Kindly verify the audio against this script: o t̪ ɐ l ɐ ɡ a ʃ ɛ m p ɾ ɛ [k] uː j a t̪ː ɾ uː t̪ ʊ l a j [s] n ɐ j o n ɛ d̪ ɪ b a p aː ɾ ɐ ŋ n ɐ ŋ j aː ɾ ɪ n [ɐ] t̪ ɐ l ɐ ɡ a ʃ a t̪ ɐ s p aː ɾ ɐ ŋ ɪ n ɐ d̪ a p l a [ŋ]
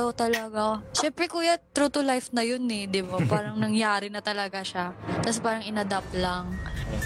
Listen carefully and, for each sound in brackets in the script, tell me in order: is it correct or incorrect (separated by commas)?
correct, incorrect, correct, correct